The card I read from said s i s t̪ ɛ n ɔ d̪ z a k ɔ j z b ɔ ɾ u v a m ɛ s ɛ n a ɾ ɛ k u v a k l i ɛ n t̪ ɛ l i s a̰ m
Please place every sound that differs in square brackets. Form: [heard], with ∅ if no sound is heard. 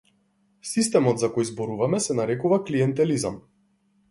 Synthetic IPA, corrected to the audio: s i s t̪ ɛ [m] ɔ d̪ z a k ɔ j z b ɔ ɾ u v a m ɛ s ɛ n a ɾ ɛ k u v a k l i ɛ n t̪ ɛ l i [z] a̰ m